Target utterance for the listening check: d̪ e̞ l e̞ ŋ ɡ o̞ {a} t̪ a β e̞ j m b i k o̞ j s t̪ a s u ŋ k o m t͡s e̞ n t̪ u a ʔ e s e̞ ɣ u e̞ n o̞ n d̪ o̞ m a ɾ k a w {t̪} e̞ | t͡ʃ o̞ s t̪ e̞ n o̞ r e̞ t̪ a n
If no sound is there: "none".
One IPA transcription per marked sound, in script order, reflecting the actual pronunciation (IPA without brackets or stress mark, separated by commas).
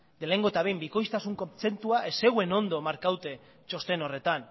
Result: e, t̪